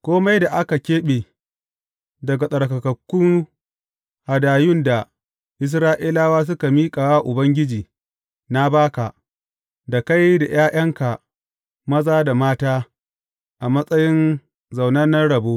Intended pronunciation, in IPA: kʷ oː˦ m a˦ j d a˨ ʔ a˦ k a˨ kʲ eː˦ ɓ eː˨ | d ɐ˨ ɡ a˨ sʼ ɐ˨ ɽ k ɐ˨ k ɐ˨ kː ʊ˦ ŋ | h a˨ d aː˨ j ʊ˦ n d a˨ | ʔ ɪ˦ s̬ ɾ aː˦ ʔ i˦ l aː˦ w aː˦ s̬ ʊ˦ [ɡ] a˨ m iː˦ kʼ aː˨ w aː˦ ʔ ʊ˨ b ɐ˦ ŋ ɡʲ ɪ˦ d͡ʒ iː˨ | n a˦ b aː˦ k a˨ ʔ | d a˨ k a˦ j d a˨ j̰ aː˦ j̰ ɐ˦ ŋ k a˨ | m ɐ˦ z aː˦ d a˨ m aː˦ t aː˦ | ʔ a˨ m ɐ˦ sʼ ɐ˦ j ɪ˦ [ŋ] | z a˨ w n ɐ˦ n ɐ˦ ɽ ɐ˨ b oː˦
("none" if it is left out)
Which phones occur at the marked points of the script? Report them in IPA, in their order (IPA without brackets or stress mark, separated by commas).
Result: k, n